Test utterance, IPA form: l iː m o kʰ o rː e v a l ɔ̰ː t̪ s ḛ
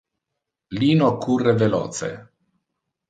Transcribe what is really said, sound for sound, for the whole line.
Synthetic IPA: l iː n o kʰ u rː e v e l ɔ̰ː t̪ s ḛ